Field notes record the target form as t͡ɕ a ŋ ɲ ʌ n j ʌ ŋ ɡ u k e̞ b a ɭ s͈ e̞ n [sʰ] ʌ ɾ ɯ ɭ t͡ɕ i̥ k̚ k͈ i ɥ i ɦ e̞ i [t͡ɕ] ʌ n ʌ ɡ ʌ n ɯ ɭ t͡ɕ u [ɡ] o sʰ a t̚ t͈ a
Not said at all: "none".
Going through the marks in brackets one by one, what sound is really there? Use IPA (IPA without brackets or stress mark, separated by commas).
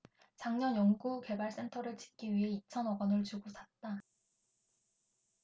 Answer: tʰ, t͡ɕʰ, ɡ